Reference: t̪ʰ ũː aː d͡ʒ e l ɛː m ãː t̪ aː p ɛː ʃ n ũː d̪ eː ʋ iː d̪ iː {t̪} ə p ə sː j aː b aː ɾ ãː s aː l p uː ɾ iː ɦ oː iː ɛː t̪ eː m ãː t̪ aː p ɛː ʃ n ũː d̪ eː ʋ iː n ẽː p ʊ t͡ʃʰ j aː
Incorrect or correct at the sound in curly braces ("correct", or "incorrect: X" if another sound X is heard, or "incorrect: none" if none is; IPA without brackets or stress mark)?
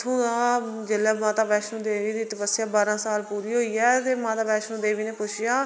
correct